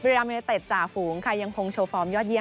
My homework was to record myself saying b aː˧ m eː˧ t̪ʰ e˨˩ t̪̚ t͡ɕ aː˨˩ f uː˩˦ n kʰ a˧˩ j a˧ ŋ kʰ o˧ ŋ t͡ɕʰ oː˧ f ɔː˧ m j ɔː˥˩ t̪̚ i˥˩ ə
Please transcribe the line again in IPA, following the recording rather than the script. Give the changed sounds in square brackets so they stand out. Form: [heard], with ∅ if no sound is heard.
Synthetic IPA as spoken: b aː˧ m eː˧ [t̪] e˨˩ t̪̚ t͡ɕ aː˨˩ f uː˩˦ [ŋ] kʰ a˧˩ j a˧ ŋ kʰ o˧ ŋ t͡ɕʰ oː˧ f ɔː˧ m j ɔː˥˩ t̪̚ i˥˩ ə